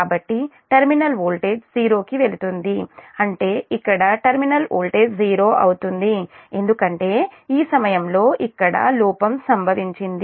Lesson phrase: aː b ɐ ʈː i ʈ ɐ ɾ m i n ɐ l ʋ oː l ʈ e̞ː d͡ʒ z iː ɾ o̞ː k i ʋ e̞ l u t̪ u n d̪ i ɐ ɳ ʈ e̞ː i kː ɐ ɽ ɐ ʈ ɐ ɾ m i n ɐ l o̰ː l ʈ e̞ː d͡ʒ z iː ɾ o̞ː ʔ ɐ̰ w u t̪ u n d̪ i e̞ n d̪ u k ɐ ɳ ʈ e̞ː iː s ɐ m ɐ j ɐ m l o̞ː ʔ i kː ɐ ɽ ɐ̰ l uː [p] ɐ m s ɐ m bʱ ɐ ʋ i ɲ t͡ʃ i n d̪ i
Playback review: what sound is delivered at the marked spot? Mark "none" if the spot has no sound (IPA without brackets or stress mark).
p